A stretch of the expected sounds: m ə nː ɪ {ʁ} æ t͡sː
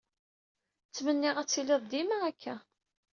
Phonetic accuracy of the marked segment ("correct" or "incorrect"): correct